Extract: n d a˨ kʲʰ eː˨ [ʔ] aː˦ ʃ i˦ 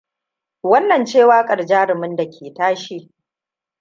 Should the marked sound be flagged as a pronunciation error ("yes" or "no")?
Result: yes